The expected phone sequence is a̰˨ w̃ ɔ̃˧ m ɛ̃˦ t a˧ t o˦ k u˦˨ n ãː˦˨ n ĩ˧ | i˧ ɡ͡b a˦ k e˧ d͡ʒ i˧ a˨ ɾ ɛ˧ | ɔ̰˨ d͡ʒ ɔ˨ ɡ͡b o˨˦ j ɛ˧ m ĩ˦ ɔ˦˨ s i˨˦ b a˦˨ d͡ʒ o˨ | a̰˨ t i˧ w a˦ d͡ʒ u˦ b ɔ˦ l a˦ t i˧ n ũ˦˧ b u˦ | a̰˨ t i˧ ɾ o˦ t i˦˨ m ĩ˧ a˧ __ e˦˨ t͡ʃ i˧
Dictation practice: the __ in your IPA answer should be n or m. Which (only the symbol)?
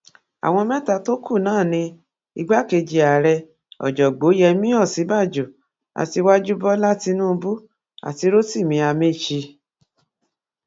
m